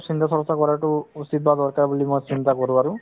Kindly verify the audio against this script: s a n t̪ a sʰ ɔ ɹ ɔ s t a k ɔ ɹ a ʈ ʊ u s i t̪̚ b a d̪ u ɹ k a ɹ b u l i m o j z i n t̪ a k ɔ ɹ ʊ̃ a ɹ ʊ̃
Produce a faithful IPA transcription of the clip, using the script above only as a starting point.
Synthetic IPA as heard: s i n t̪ a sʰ ɔ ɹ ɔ s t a k ɔ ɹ a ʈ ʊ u s i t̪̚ b a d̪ ɔ ɹ k a ɹ b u l i m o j s i n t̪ a k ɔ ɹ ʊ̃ a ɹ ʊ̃

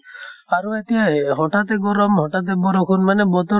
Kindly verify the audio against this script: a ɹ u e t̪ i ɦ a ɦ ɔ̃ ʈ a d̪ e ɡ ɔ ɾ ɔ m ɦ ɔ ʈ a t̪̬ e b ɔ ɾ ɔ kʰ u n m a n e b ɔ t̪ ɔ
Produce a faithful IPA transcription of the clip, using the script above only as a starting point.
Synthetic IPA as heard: a ɾ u e t̪ i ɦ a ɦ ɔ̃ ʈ a t̪ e ɡ ɔ ɾ ɔ m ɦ ɔ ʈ a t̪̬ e b ɔ ɾ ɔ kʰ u n m a n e b ɔ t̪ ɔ

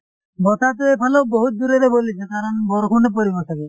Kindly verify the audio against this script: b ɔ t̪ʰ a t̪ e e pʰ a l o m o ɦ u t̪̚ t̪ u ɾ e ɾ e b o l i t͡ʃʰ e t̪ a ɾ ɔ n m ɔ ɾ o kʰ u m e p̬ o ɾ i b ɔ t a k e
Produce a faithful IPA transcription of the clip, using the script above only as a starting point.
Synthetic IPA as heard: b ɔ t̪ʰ a t̪ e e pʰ a l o b o ɦ u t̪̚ d̪ u ɾ e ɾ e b o l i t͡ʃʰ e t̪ a ɾ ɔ n b ɔ ɾ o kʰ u n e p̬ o ɾ i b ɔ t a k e

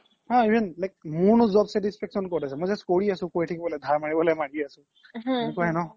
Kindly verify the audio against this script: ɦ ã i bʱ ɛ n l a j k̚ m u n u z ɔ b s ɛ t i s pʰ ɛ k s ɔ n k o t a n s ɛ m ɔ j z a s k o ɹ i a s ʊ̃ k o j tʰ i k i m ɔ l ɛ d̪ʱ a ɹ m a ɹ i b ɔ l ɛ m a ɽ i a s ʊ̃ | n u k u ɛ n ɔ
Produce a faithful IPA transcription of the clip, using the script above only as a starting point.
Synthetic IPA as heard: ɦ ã i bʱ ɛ n l a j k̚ m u n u z ɔ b s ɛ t i s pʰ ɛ k s ɔ n k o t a s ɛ m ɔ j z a s k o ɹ i a s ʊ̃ k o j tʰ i k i b ɔ l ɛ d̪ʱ a ɹ m a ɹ i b ɔ l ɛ m a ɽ i a s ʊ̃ | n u k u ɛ n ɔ

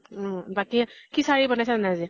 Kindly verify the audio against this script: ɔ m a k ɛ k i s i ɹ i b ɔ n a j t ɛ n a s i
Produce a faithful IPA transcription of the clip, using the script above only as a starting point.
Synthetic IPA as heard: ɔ b a k i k i s a ɹ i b ɔ n a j s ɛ n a z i

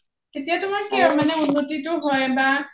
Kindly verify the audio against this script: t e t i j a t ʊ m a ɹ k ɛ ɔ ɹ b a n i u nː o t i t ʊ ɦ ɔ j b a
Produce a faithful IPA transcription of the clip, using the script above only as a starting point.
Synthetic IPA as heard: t e t i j a t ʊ m a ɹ k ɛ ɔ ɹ m a n ɛ u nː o t i t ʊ ɦ ɔ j b a

